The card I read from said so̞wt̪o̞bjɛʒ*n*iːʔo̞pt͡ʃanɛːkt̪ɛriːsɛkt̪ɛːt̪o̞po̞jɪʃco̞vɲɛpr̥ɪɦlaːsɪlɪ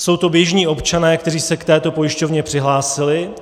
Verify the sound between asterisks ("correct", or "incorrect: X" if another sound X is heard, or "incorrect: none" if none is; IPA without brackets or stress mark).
incorrect: ɲ